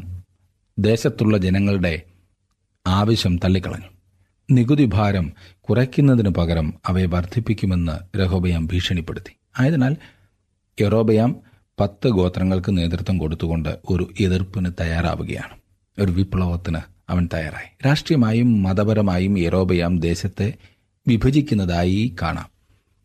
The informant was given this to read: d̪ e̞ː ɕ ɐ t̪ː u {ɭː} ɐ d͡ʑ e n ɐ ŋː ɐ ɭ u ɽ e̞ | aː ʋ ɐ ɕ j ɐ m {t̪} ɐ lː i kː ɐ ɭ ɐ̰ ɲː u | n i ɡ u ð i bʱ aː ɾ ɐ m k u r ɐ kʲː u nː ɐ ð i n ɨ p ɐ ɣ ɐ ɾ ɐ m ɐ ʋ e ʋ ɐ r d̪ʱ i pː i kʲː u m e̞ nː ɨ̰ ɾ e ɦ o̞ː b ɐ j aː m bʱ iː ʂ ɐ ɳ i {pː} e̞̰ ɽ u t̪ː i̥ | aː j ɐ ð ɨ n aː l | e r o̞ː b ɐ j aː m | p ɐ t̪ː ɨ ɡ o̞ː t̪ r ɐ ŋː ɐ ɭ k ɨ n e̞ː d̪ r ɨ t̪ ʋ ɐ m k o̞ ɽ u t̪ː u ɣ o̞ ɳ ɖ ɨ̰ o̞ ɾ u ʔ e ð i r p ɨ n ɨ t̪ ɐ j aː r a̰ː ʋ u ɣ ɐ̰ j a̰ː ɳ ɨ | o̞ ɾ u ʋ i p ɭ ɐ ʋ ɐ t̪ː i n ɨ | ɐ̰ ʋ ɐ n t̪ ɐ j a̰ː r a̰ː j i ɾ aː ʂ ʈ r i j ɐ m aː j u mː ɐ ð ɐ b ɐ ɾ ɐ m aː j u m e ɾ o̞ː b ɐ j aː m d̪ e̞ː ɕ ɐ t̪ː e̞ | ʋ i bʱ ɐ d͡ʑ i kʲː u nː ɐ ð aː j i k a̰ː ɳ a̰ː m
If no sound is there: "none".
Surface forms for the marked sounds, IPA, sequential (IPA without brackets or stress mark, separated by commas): ɭː, t̪, pː